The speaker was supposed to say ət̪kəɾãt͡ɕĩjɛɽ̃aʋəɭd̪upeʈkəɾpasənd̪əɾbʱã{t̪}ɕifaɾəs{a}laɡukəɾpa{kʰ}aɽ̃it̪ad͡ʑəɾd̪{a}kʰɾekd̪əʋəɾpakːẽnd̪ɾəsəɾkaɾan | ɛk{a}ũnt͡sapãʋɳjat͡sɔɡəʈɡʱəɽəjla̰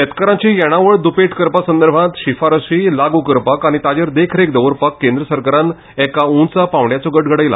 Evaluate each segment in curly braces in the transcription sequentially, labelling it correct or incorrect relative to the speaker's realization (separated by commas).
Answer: correct, incorrect, incorrect, incorrect, correct